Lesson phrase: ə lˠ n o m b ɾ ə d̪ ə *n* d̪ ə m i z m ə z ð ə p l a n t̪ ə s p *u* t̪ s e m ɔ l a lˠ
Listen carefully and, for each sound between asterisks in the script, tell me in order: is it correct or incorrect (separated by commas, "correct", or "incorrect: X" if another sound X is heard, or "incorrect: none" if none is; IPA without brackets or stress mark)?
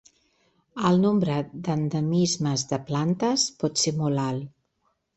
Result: correct, incorrect: ɔ